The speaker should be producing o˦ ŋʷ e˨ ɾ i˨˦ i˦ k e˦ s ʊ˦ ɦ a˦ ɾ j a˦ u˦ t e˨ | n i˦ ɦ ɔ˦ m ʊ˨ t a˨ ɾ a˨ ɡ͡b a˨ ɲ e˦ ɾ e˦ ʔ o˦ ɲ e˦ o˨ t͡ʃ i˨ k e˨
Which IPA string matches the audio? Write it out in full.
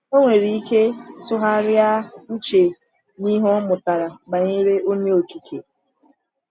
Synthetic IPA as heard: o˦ ŋʷ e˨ ɾ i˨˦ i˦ k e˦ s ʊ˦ ɦ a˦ ɾ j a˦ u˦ t͡ʃ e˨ | n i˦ ɦ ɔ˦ m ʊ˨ t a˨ ɾ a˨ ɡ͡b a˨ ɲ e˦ ɾ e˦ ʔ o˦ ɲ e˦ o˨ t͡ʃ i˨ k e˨